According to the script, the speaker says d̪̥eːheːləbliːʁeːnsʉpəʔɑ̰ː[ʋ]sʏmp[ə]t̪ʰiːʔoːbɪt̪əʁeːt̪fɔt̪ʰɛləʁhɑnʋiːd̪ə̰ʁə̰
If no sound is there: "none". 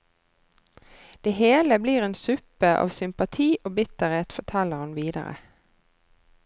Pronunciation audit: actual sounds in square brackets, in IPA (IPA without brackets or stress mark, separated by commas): ʋ, ɑ